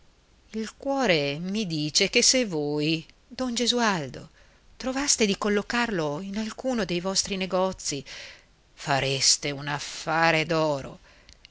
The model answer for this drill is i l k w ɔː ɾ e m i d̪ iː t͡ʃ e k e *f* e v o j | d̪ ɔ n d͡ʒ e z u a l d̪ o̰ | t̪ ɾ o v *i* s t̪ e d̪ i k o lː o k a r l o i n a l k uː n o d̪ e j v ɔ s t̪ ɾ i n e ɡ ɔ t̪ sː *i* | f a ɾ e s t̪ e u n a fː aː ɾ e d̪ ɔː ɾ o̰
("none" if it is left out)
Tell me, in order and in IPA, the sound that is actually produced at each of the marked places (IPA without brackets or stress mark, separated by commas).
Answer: s, a, i